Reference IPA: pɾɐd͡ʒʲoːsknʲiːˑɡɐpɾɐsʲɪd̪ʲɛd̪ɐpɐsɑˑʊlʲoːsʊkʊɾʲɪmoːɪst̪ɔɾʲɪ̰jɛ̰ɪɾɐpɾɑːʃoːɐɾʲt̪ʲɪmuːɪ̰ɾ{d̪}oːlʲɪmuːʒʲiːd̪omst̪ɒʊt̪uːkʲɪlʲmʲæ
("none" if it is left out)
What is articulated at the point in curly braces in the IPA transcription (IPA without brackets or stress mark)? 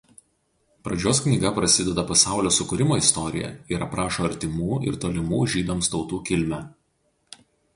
t̪